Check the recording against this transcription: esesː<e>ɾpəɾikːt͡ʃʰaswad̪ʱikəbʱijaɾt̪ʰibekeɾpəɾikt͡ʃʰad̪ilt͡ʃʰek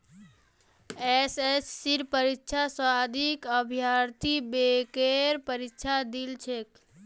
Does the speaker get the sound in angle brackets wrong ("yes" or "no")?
yes